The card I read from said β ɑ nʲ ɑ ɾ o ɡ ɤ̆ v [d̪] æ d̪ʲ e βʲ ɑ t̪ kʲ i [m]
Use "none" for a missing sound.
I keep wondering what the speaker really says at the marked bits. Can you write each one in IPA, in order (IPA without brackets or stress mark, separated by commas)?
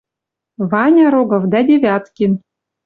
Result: d̪, n